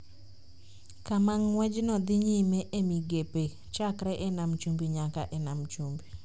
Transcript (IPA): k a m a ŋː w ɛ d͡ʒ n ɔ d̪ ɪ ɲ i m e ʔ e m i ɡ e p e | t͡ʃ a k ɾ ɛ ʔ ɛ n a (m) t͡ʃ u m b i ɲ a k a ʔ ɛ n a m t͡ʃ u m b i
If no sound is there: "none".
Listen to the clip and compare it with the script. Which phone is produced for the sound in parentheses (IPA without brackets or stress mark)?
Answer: m